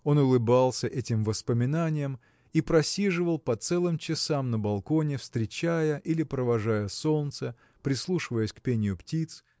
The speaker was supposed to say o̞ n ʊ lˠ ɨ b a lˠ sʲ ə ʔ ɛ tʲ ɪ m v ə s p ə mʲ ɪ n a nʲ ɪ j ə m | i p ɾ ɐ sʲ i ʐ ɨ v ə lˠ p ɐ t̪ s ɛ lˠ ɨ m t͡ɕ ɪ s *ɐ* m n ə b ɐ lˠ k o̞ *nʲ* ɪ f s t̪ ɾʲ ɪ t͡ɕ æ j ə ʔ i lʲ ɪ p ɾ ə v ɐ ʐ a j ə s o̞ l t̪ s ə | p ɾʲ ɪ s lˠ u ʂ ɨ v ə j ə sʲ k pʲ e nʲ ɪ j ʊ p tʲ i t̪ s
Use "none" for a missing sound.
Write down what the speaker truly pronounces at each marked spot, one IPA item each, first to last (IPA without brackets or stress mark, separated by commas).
a, nʲ